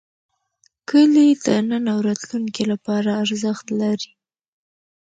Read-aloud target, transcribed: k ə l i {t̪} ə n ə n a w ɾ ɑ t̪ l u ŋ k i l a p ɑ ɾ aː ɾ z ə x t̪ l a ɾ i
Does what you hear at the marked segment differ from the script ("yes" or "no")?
yes